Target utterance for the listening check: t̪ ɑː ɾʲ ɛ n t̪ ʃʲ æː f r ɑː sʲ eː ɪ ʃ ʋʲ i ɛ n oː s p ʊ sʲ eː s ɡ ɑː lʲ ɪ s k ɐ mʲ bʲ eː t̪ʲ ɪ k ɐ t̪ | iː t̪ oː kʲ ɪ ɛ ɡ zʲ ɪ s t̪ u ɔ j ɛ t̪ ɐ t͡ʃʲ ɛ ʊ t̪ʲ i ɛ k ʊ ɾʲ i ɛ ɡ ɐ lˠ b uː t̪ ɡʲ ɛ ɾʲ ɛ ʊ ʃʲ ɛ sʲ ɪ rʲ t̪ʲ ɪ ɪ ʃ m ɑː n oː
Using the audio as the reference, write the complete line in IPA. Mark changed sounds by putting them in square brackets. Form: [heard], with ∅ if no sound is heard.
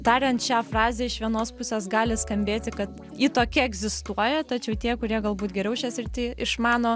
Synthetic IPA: t̪ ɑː ɾʲ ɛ n t̪ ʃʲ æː f r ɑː [zʲ] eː ɪ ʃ ʋʲ i ɛ n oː s p ʊ sʲ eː s ɡ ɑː lʲ ɪ s k ɐ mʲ bʲ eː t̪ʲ ɪ k ɐ t̪ | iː t̪ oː kʲ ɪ ɛ ɡ zʲ ɪ s t̪ u ɔ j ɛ t̪ ɐ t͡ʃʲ ɛ ʊ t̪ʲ i ɛ k ʊ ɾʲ i ɛ ɡ ɐ lˠ b uː t̪ ɡʲ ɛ ɾʲ ɛ ʊ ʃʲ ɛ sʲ ɪ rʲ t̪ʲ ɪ ɪ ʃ m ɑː n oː